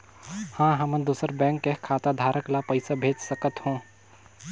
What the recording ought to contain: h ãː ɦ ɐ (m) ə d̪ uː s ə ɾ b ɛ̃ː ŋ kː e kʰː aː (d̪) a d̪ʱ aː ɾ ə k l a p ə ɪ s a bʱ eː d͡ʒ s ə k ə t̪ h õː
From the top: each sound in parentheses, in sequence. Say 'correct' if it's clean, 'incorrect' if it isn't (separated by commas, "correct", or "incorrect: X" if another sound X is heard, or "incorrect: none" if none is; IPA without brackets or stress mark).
correct, incorrect: t̪